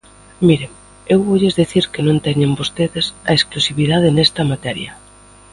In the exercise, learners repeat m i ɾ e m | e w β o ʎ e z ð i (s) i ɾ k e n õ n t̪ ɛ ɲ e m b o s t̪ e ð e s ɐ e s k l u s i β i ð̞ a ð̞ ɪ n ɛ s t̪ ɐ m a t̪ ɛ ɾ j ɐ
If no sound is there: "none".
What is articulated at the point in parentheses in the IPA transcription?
θ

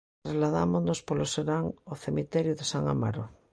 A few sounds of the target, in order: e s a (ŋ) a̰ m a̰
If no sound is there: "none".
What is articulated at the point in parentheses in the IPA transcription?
ŋ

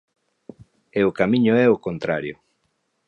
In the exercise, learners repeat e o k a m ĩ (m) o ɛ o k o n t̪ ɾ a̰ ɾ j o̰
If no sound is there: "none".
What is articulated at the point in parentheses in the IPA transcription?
ɲ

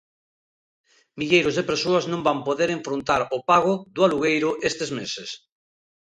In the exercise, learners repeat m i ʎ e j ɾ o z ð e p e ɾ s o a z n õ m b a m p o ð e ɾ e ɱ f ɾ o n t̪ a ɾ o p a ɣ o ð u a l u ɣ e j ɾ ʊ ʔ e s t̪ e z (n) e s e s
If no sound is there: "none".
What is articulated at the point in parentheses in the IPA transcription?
m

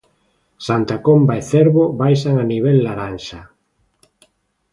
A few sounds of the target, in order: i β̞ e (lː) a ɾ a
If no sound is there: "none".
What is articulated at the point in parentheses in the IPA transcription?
lː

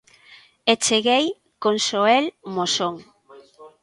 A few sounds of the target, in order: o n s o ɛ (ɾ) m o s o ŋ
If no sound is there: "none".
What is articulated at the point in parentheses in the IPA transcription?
l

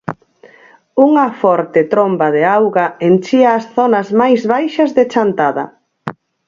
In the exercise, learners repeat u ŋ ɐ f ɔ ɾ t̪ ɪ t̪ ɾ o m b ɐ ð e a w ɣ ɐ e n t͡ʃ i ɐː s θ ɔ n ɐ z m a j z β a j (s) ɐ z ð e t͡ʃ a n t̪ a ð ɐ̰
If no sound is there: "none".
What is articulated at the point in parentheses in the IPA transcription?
ʃ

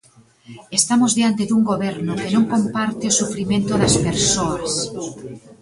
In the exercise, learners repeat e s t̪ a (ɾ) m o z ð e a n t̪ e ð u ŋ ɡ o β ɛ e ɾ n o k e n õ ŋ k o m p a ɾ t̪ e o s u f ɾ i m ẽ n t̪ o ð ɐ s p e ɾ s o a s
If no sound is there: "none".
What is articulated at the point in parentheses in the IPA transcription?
none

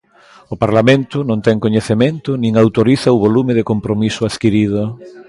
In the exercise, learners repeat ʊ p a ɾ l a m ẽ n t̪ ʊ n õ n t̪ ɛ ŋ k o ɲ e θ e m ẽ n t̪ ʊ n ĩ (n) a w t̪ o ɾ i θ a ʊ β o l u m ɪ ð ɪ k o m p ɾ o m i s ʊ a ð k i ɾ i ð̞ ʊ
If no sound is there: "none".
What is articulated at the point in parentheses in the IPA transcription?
ŋ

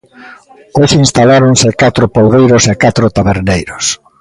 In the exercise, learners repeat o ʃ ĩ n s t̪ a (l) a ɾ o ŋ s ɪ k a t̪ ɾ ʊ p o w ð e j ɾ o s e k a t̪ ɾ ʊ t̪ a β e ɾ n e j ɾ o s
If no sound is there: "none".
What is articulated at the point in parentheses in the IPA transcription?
l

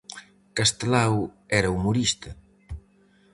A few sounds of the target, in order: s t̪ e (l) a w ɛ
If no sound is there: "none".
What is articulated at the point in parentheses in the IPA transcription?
l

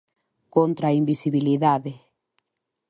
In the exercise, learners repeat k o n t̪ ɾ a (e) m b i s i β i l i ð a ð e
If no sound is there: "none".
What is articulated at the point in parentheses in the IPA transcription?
i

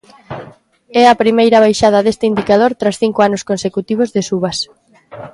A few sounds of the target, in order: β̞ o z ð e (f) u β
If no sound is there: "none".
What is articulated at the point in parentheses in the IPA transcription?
s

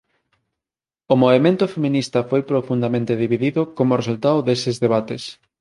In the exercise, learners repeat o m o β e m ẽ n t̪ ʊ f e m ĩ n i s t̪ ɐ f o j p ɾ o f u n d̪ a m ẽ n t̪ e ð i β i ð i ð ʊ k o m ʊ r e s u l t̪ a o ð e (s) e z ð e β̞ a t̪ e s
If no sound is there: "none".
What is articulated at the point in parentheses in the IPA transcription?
s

